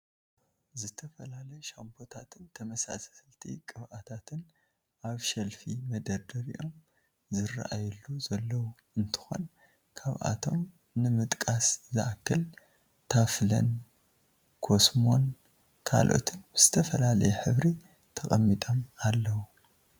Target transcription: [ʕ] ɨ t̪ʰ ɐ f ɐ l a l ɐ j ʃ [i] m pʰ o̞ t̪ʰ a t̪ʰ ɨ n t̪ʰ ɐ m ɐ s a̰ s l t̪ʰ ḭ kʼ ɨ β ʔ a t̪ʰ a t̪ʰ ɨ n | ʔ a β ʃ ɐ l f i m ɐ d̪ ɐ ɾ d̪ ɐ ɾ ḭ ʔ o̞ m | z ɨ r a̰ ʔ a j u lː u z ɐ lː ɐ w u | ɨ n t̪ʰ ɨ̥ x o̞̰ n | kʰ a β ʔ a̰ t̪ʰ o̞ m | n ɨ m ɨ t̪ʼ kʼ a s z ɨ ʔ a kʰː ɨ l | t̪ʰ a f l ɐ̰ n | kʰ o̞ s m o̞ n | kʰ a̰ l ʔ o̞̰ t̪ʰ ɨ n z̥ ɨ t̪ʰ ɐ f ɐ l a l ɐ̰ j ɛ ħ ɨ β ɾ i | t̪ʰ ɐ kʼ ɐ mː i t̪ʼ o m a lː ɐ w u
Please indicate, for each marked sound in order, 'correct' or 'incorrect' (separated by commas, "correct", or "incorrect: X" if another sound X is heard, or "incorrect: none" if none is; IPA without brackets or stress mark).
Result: incorrect: z, incorrect: a